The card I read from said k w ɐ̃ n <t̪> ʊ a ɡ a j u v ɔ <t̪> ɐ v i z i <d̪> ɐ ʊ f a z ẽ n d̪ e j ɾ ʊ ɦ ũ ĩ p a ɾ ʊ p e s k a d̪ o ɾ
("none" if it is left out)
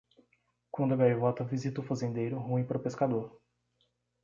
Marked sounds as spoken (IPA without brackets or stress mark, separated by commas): d̪, t̪, t̪